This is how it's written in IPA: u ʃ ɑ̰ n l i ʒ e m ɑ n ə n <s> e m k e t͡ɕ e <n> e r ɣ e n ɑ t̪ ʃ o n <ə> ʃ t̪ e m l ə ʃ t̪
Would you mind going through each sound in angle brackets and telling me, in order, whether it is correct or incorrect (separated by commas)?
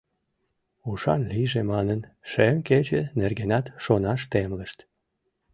incorrect, correct, incorrect